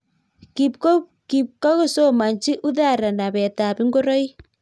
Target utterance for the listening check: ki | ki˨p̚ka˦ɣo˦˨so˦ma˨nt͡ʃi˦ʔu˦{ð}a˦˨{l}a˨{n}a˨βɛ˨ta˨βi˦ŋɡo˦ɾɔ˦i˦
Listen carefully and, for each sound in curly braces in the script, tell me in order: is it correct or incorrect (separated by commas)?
correct, incorrect, correct